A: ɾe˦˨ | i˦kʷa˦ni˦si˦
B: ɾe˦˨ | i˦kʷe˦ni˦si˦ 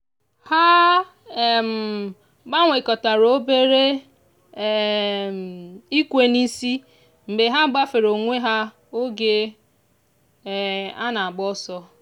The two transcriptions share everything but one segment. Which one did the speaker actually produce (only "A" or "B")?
B